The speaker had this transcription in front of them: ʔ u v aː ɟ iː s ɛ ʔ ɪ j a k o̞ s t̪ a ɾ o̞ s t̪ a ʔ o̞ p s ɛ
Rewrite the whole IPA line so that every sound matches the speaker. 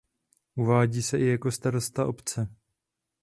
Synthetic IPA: ʔ u v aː ɟ iː s ɛ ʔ ɪ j a k o̞ s t̪ a ɾ o̞ s t̪ a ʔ o̞ p t͡s ɛ